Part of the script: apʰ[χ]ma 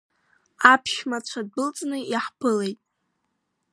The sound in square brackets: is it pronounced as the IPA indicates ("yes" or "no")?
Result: no